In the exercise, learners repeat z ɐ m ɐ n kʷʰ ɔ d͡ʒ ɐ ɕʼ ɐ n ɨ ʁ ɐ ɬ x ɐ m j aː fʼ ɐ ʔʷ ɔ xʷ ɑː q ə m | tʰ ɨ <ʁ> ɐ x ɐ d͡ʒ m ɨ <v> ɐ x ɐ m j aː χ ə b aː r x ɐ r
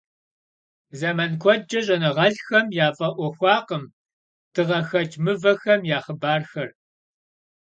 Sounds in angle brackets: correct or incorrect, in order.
correct, correct

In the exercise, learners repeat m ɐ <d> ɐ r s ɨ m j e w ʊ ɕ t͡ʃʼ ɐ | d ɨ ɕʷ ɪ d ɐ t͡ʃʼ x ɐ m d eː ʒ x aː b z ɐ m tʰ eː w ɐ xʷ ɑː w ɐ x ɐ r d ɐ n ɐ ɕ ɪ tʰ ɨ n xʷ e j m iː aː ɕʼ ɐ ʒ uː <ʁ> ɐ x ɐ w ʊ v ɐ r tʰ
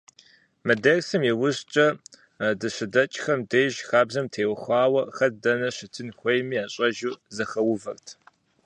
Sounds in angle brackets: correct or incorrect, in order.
correct, incorrect: z

